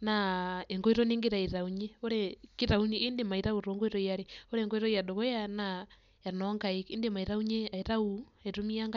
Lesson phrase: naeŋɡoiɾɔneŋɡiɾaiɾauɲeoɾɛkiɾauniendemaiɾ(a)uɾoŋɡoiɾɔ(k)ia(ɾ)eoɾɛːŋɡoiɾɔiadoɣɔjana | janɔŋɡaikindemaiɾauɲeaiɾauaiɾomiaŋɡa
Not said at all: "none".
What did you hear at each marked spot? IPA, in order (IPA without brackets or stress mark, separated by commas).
a, none, ɾ